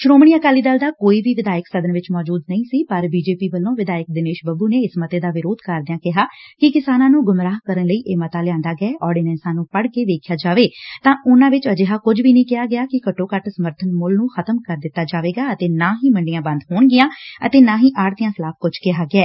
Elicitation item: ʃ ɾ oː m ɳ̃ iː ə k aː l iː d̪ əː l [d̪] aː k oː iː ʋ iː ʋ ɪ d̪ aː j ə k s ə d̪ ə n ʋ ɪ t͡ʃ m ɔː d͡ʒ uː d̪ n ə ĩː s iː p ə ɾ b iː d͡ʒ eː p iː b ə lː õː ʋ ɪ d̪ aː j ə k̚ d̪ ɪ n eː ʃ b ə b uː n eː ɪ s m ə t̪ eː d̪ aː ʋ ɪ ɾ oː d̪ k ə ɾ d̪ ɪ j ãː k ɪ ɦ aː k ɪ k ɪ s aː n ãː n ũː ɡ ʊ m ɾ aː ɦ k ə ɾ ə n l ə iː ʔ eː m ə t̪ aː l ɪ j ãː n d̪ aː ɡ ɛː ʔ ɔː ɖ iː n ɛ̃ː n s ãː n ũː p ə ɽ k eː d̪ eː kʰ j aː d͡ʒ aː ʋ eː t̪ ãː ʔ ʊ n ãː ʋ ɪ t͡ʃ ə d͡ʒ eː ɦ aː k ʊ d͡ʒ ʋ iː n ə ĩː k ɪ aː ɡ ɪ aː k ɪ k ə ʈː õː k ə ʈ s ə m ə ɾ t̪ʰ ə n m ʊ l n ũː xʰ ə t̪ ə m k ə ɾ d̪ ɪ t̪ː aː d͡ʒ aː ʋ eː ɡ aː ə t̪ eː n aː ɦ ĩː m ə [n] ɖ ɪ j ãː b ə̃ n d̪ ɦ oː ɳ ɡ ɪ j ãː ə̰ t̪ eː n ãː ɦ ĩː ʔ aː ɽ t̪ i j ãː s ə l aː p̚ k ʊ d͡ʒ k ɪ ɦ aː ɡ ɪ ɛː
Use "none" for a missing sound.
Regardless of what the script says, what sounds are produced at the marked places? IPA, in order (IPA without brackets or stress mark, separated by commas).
d̪, ɳ